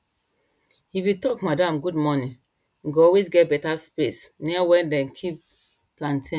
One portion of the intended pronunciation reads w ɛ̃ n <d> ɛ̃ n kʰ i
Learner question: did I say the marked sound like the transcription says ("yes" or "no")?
yes